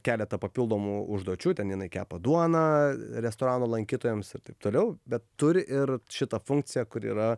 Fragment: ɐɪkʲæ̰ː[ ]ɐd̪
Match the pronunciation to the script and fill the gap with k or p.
p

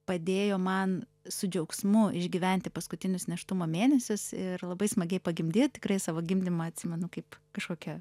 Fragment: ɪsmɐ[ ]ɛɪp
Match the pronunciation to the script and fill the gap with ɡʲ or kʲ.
ɡʲ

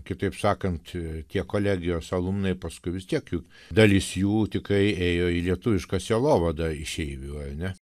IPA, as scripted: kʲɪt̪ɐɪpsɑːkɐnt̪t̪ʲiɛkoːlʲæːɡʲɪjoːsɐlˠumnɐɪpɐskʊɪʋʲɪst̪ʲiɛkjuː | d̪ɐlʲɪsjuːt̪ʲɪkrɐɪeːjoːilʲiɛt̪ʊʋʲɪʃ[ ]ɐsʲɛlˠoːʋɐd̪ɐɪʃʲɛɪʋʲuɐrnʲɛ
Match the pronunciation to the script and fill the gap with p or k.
k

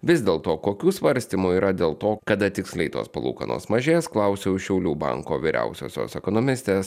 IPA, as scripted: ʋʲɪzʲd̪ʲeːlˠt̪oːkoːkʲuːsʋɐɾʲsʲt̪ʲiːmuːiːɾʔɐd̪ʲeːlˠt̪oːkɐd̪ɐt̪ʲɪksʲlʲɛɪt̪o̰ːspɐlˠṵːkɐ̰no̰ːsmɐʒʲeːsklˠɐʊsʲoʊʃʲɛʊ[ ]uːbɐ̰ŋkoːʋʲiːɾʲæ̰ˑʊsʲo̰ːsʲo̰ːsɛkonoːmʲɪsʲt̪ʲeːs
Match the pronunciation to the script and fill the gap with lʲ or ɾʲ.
lʲ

